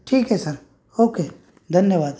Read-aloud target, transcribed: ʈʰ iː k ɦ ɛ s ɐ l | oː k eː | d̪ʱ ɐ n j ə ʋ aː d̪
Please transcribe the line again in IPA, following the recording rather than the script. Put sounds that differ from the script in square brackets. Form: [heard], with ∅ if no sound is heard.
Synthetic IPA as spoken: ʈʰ iː k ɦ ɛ s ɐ [ɾ] | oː k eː | d̪ʱ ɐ n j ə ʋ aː d̪